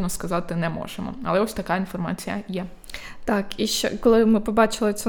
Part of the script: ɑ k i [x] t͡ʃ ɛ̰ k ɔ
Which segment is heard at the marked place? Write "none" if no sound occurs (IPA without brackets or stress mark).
ʃ